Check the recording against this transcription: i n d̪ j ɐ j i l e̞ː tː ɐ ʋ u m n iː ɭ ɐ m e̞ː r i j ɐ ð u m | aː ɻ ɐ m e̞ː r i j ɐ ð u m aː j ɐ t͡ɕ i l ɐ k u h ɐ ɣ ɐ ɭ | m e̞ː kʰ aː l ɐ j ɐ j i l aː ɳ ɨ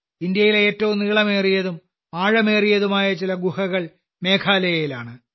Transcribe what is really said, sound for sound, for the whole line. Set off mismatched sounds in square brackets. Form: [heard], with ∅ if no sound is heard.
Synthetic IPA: i n d̪ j ɐ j i l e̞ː tː ɐ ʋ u m n iː ɭ ɐ m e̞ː r i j ɐ ð u m | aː ɻ ɐ m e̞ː r i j ɐ ð u m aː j ɐ t͡ɕ i l ɐ [ɡ] u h ɐ ɣ ɐ ɭ | m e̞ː kʰ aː l ɐ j ɐ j i l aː ɳ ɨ